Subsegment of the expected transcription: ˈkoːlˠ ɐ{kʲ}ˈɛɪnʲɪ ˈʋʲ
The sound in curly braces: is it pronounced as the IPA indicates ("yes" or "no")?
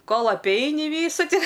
no